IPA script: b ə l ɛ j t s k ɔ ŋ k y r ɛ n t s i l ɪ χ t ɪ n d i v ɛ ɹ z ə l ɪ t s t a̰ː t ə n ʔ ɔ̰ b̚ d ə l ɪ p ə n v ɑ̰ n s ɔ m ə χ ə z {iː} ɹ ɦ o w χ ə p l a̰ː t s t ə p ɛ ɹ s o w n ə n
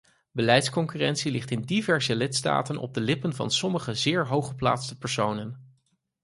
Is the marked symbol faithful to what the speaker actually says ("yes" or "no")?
no